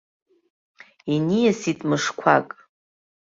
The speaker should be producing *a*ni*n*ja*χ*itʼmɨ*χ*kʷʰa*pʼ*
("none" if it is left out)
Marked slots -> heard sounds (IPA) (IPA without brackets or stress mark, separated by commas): i, none, s, ʂ, kʼ